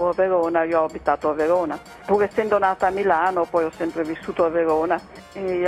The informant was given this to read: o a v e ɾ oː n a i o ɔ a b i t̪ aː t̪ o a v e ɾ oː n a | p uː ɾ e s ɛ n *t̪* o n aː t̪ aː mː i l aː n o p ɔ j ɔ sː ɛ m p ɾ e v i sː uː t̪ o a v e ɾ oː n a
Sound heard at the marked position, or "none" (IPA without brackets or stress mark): d̪